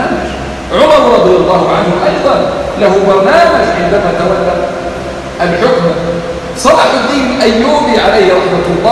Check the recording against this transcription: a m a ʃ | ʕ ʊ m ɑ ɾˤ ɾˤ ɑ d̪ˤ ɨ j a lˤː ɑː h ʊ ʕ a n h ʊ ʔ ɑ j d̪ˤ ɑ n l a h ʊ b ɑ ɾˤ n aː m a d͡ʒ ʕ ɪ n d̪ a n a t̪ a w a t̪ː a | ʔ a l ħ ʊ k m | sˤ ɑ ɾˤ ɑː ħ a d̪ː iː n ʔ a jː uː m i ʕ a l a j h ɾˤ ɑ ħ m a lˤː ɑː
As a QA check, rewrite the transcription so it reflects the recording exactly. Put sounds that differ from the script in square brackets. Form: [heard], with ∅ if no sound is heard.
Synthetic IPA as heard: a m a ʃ | ʕ ʊ m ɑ ɾˤ ɾˤ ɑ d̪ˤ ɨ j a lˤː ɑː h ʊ ʕ a n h ʊ ʔ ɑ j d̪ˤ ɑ n l a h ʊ b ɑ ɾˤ n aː m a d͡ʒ ʕ ɪ n d̪ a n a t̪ a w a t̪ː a | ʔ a l ħ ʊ k m | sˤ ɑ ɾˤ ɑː ħ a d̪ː iː n ʔ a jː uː [b] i ʕ a l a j h ɾˤ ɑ ħ m a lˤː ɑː